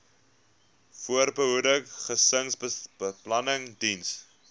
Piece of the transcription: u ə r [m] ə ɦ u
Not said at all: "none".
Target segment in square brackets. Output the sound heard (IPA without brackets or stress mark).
b